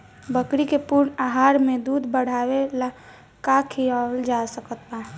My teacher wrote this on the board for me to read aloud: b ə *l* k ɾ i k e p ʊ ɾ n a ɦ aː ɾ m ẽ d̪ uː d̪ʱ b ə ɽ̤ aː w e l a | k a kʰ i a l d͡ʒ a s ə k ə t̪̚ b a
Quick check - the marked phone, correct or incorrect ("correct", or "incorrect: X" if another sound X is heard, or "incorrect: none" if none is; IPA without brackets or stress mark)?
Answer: incorrect: none